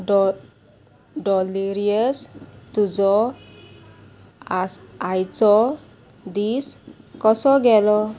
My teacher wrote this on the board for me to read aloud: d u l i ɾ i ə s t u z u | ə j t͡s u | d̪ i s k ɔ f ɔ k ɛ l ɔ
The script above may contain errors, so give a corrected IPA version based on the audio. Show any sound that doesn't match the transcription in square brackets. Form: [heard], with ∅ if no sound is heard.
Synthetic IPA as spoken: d [ɔ] l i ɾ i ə s t u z [ɔ] | [a] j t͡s [ɔ] | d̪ i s k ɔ [s] ɔ [ɡ] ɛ l ɔ